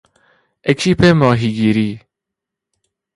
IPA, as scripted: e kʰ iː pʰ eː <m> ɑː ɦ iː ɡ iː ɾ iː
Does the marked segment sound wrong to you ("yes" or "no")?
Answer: no